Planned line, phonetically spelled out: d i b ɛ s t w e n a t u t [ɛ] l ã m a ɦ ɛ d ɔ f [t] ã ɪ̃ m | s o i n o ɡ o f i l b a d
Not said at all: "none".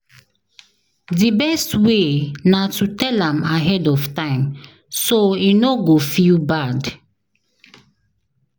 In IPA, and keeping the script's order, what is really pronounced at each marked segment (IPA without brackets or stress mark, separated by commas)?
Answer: ɛ, t